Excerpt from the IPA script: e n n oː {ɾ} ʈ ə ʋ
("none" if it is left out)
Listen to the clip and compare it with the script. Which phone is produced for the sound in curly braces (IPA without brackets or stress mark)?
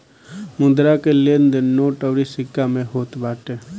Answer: none